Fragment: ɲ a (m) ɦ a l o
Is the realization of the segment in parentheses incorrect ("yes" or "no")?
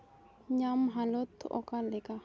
no